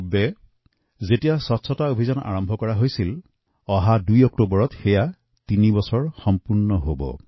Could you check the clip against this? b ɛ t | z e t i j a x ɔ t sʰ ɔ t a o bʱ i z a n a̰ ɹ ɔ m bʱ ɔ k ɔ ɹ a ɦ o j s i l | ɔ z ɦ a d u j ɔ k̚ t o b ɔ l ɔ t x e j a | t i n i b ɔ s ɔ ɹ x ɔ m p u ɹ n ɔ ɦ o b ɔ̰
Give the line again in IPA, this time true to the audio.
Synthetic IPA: b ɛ | z e t i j a s ɔ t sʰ ɔ t a o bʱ i z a n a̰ ɹ ɔ m bʱ ɔ k ɔ ɹ a ɦ o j s i l | ɔ ɦ a d u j ɔ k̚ t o b ɔ ɹ ɔ t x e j a | t i n i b ɔ s ɔ ɹ x ɔ m p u ɹ n ɔ ɦ o b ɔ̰